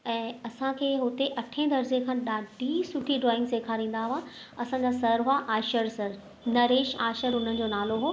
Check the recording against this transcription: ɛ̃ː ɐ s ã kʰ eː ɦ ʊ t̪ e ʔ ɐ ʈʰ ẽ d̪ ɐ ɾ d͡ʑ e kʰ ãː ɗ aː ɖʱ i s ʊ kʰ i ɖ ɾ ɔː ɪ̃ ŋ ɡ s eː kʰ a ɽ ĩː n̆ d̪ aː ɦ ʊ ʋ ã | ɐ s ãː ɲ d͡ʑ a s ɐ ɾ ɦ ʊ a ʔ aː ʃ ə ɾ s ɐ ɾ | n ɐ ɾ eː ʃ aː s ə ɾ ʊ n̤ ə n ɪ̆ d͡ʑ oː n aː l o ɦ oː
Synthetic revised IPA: ɛ̃ː ɐ s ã kʰ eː ɦ ʊ t̪ e ʔ ɐ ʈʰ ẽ d̪ ɐ ɾ d͡ʑ e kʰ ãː ɗ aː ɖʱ i s ʊ ʈʰ i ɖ ɾ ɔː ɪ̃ ŋ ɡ s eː kʰ a ɾ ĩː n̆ d̪ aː ɦ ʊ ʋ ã | ɐ s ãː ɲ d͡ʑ a s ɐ ɾ ɦ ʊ a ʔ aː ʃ ə ɾ s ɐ ɾ | n ɐ ɾ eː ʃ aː ʃ ə ɾ ʊ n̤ ə n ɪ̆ d͡ʑ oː n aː l o ɦ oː